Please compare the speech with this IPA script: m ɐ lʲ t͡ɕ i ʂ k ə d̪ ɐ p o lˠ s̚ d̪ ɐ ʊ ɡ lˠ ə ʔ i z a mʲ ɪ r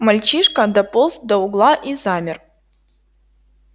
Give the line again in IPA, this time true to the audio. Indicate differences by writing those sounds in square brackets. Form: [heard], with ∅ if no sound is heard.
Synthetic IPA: m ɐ lʲ t͡ɕ i ʂ k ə d̪ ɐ p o lˠ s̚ d̪ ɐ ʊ ɡ lˠ [a] ʔ i z a mʲ ɪ r

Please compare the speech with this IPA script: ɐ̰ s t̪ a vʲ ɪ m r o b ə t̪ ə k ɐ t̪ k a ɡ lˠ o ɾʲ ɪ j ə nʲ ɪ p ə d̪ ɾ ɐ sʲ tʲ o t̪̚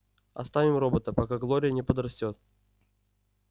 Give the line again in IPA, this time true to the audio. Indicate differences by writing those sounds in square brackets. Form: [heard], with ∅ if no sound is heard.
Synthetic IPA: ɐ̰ s t̪ a vʲ ɪ m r o b ə t̪ ə [p] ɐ [∅] k a ɡ lˠ o ɾʲ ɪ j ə nʲ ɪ p ə d̪ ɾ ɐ sʲ tʲ o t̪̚

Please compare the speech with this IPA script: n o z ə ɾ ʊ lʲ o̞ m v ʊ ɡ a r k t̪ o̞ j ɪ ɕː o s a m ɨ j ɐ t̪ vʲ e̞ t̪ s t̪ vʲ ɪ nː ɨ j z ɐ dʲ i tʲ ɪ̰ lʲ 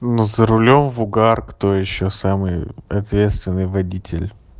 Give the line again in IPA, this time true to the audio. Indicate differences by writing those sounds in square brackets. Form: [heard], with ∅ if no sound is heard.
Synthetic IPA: n [u] z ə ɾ ʊ lʲ o̞ m v ʊ ɡ a r k t̪ o̞ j ɪ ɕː o s a m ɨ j ɐ t̪ vʲ e̞ t̪ s t̪ vʲ ɪ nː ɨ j [v] ɐ dʲ i tʲ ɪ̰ lʲ

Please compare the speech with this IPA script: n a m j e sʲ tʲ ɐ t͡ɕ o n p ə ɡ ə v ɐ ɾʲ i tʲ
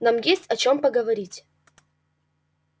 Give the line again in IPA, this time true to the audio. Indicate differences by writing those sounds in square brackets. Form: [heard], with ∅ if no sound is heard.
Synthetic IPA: n a m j e sʲ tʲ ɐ t͡ɕ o [m] p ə ɡ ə v ɐ ɾʲ i tʲ

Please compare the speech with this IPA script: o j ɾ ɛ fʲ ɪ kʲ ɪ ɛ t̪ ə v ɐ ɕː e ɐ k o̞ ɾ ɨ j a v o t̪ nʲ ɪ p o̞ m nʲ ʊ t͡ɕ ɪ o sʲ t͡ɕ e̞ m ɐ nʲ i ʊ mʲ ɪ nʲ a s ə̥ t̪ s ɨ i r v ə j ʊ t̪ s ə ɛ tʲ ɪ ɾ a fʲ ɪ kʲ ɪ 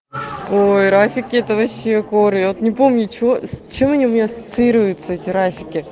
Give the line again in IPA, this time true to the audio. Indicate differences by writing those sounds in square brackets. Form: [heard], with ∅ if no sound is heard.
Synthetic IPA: o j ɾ [a] fʲ ɪ kʲ ɪ ɛ t̪ ə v ɐ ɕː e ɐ k o̞ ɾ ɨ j a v o t̪ nʲ ɪ p o̞ m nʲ ʊ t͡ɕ ɪ o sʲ t͡ɕ e̞ m ɐ nʲ i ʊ mʲ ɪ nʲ a s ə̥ t̪ s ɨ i [ɾ] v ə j ʊ t̪ s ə ɛ tʲ ɪ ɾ a fʲ ɪ kʲ ɪ

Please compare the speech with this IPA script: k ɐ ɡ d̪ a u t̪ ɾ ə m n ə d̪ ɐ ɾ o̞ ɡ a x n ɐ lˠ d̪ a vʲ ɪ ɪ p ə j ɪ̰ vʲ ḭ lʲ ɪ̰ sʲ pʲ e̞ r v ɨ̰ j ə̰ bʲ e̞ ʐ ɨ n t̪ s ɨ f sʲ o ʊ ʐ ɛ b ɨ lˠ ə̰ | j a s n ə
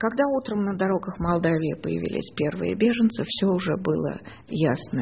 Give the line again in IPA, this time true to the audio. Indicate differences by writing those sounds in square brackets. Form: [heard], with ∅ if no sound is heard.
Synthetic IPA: k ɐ ɡ d̪ a u t̪ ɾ ə m n ə d̪ ɐ ɾ o̞ ɡ [ə] x [m] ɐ lˠ d̪ a vʲ ɪ ɪ p ə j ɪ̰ vʲ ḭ lʲ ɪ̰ sʲ pʲ e̞ r v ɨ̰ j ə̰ bʲ e̞ ʐ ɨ n t̪ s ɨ f sʲ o ʊ ʐ ɛ b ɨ lˠ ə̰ | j a s n ə

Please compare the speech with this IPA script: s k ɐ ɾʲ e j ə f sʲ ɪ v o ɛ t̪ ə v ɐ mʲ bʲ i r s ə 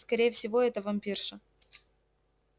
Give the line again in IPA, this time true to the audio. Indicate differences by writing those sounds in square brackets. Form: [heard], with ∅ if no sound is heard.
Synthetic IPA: s k ɐ ɾʲ e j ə f sʲ ɪ v o ɛ t̪ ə v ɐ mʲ [pʲ] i r [ʂ] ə

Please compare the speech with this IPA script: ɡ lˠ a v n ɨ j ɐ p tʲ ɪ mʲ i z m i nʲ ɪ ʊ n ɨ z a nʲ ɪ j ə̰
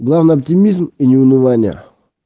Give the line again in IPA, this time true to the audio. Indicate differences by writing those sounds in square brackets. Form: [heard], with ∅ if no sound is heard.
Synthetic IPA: ɡ lˠ a v n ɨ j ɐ p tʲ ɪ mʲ i z m i nʲ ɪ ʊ n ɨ [v] a nʲ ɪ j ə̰

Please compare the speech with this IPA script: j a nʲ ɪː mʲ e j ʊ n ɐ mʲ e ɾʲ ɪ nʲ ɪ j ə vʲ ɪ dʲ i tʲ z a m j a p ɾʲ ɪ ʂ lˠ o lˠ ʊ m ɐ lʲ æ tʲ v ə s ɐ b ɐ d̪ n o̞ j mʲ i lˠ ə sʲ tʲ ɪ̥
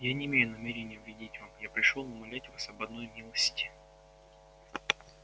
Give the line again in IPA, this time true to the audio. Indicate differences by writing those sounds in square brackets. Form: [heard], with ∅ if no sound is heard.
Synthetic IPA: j a nʲ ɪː mʲ e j ʊ n ɐ mʲ e ɾʲ ɪ nʲ ɪ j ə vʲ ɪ dʲ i tʲ [v] a m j a p ɾʲ ɪ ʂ lˠ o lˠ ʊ m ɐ lʲ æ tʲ v [a] s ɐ b ɐ d̪ n o̞ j mʲ i lˠ ə sʲ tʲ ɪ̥

